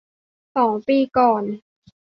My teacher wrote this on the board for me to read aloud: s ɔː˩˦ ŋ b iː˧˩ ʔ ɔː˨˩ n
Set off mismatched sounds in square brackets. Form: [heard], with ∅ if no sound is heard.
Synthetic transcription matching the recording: s ɔː˩˦ ŋ [p] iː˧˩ [k] ɔː˨˩ n